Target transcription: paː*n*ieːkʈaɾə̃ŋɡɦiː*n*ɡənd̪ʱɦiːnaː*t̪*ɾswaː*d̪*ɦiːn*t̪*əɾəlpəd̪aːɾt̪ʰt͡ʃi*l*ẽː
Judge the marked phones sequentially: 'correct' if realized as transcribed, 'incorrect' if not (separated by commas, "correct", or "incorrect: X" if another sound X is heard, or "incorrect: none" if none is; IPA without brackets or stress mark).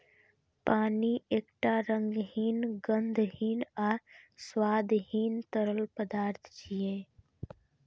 correct, correct, incorrect: none, correct, correct, incorrect: none